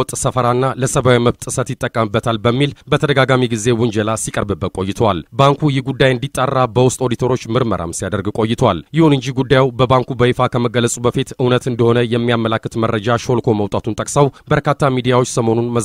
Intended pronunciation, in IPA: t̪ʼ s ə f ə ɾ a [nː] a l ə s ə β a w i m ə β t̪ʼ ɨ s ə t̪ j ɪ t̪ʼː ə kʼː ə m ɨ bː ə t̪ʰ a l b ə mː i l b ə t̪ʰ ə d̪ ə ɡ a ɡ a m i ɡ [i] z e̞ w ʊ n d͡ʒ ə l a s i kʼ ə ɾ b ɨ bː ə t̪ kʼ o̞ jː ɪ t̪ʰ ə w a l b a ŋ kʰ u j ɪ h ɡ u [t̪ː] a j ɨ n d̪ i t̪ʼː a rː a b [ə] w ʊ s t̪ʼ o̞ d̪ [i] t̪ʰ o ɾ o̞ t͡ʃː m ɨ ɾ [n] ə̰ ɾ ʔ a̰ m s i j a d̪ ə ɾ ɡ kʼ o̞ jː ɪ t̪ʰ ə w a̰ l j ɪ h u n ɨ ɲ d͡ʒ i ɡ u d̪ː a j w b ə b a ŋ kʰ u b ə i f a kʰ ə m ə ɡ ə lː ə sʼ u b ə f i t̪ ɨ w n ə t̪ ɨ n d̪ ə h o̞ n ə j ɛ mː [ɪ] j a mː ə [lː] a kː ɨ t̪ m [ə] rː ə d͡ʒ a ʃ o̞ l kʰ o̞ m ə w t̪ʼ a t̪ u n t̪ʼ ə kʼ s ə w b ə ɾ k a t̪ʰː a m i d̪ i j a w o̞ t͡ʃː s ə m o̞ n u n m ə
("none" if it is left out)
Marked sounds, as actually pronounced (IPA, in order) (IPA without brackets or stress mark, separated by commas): nː, i, d̪ː, ə, i, m, i, l, ə